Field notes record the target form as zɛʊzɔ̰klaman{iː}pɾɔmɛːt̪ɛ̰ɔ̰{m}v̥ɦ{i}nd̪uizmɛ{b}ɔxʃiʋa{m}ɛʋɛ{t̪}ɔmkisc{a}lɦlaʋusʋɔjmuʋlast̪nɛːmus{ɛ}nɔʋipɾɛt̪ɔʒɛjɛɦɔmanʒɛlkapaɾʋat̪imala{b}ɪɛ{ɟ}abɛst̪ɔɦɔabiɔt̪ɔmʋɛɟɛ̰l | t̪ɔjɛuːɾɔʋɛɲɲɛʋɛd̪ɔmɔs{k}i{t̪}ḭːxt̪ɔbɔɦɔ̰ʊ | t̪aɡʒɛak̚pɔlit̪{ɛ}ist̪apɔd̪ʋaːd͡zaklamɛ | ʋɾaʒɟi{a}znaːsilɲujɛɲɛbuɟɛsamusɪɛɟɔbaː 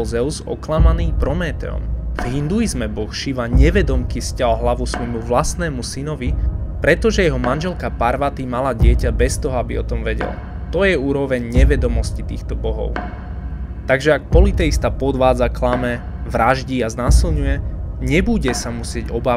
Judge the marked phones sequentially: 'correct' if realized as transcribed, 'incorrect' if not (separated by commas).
correct, correct, correct, correct, incorrect, incorrect, correct, incorrect, incorrect, incorrect, incorrect, correct, correct, correct